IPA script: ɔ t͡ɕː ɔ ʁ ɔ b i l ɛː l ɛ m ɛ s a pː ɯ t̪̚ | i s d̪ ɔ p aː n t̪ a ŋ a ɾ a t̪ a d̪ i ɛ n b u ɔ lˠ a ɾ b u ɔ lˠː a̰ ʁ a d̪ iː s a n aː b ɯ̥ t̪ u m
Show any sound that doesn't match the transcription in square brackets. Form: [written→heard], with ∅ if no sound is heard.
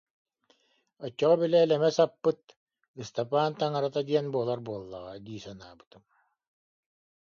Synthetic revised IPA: ɔ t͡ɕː ɔ ʁ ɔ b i l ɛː l ɛ m ɛ s a pː ɯ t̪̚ | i s [d̪→t̪] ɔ p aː n t̪ a ŋ a ɾ a t̪ a d̪ i ɛ n b u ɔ lˠ a ɾ b u ɔ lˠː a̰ ʁ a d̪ iː s a n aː b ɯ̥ t̪ [u→ɯ] m